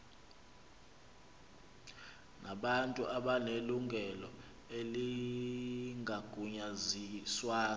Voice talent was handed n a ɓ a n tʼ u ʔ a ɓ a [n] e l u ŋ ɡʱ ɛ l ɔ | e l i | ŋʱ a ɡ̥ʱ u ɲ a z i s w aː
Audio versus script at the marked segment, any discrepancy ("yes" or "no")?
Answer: no